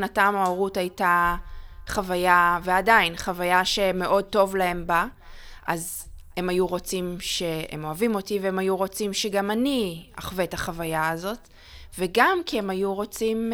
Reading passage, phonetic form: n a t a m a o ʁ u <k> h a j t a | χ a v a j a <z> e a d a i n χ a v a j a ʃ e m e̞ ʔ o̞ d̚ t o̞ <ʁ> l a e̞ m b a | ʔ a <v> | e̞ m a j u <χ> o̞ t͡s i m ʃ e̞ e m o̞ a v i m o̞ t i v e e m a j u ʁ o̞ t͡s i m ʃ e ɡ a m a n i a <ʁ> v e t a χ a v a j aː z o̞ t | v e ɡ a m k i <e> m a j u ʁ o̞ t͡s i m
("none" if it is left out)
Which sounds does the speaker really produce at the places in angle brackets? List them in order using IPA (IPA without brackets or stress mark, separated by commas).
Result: t, v, v, z, ʁ, χ, e